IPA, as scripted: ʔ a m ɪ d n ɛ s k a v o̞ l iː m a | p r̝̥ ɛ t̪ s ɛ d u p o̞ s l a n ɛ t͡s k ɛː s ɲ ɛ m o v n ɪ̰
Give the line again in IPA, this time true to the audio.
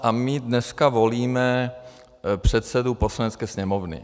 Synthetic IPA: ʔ a m ɪ d n ɛ s k a v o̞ l iː m ɛ | p r̝̥ ɛ t̪ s ɛ d u p o̞ s l a n ɛ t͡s k ɛː s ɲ ɛ m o v n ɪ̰